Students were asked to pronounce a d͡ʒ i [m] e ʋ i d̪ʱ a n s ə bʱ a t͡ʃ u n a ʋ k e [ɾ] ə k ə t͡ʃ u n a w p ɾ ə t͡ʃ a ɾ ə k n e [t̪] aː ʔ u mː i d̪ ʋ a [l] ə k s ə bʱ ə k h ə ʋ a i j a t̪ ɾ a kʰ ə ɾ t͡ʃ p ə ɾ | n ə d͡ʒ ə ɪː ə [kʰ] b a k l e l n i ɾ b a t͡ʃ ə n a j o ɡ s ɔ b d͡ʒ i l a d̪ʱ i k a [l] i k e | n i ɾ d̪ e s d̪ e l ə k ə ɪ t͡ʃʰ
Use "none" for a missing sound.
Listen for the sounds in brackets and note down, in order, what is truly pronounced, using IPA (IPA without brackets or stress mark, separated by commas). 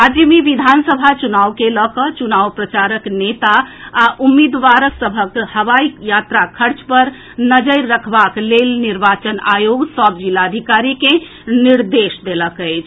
m, l, t̪, ɾ, kʰ, ɾ